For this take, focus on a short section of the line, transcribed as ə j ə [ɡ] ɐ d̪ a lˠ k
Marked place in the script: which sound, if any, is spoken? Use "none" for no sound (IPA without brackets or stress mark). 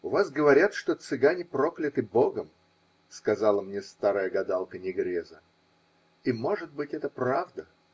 ɡ